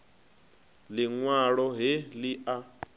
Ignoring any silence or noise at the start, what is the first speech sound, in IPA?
l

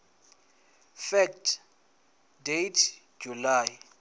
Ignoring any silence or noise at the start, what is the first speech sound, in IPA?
f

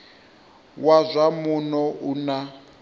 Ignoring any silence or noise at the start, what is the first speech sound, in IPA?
w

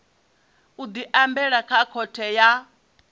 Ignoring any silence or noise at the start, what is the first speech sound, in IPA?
u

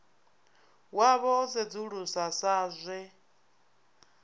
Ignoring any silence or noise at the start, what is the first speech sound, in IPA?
w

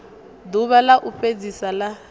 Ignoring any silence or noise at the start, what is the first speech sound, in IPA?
d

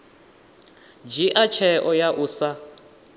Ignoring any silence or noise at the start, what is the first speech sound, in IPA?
d͡ʒ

